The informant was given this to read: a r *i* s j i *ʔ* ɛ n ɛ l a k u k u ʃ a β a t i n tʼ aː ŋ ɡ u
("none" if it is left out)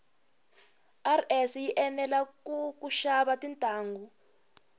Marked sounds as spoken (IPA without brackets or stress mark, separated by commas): ɛ, ʔ